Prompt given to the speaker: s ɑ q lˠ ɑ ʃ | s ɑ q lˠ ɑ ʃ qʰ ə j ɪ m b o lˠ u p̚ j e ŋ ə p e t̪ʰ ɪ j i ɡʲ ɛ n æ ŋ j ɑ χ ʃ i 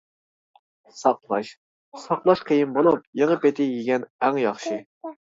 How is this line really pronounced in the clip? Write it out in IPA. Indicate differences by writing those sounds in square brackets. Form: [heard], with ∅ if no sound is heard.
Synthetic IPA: s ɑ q lˠ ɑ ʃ | s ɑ q lˠ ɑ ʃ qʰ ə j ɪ m b o lˠ u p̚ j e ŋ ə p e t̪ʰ ɪ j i ɡʲ ɛ n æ ŋ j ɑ χ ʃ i